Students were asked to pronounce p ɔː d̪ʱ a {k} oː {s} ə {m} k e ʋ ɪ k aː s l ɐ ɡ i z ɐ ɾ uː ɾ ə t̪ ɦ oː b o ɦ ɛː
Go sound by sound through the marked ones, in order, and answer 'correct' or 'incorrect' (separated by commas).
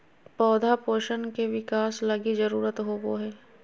incorrect, incorrect, incorrect